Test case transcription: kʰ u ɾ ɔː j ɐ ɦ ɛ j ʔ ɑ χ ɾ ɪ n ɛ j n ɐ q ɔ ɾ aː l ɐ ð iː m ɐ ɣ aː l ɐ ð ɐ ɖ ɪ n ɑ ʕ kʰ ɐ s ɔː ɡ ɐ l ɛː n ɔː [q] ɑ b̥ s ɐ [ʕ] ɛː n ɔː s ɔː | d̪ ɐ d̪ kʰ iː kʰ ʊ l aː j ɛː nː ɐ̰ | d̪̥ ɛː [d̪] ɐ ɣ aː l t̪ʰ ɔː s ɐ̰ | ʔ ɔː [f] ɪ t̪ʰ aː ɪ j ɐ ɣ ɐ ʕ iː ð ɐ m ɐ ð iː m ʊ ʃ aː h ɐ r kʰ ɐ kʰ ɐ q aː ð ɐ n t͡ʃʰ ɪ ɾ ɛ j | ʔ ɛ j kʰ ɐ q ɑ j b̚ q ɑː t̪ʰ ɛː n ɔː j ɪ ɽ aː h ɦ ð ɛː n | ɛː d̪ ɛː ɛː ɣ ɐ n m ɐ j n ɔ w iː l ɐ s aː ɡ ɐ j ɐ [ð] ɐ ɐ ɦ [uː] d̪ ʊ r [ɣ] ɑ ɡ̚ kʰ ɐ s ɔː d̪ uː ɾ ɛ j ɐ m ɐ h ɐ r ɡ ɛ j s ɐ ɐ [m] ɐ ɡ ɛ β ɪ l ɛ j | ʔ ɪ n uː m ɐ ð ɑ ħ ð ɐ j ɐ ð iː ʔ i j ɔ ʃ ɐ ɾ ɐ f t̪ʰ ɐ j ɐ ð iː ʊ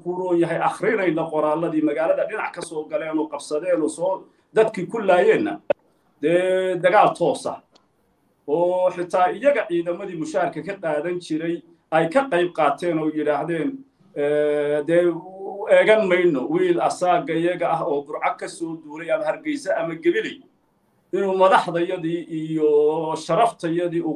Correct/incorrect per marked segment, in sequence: correct, incorrect, correct, incorrect, incorrect, incorrect, incorrect, correct

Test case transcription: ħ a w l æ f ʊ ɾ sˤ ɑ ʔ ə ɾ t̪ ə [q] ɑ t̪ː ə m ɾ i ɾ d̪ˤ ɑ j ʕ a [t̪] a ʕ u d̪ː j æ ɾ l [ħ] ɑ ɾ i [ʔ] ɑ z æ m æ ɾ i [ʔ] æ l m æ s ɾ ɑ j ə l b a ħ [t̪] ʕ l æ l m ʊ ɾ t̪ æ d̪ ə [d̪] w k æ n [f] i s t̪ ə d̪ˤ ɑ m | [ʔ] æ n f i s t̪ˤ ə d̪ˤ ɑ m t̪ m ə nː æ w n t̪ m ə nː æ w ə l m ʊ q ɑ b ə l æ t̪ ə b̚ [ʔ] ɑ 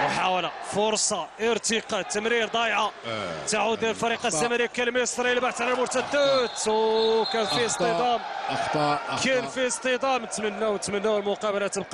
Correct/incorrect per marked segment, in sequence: correct, correct, incorrect, incorrect, incorrect, correct, incorrect, correct, incorrect, incorrect

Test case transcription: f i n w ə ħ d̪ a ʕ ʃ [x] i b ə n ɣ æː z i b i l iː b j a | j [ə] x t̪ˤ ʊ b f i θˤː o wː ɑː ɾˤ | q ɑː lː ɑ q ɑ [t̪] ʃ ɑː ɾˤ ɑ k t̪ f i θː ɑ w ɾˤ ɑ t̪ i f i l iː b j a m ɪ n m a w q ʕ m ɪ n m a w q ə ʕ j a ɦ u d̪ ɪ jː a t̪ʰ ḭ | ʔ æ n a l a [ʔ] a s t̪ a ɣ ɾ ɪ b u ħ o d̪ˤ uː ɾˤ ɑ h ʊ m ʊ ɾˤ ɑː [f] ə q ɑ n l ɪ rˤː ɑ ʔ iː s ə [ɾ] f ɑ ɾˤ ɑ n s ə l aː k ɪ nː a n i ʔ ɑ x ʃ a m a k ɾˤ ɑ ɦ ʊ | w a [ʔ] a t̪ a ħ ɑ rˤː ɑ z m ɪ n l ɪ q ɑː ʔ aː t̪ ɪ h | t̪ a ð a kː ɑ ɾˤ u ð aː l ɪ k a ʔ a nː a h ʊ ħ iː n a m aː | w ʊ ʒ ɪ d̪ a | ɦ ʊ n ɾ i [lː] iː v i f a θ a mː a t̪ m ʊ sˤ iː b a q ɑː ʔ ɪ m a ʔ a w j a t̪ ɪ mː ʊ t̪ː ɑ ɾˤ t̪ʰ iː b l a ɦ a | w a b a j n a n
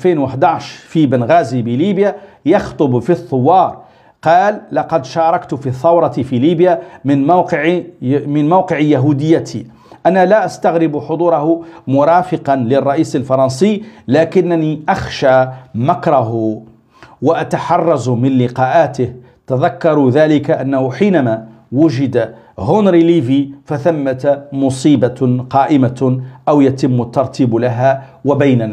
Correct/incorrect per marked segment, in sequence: incorrect, incorrect, incorrect, correct, correct, incorrect, correct, incorrect

